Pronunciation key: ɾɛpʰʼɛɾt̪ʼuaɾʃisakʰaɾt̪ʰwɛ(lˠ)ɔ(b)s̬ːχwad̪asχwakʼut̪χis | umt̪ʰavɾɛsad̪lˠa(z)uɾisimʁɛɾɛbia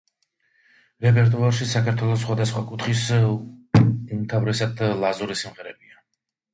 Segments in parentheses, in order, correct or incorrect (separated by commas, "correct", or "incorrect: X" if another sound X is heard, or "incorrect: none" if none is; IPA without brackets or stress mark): correct, incorrect: none, correct